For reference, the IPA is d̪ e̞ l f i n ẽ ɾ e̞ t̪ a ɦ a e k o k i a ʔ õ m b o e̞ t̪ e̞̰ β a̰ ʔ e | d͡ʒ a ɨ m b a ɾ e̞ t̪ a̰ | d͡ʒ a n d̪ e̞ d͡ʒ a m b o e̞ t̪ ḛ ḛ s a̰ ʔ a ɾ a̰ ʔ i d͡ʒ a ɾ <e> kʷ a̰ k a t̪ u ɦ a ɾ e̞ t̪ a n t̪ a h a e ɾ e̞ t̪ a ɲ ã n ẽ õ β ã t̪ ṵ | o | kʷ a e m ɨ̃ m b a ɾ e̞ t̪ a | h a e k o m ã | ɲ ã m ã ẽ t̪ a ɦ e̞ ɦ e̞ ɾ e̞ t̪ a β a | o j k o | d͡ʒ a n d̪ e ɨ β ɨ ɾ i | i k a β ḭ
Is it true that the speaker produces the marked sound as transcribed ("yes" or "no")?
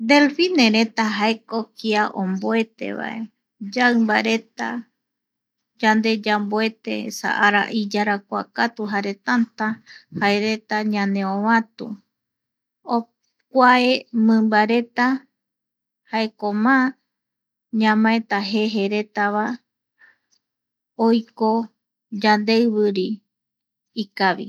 no